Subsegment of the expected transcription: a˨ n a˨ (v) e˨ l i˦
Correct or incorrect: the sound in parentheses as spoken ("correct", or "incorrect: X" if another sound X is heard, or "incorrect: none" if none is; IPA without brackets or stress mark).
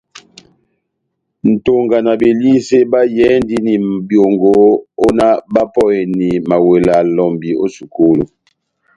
incorrect: b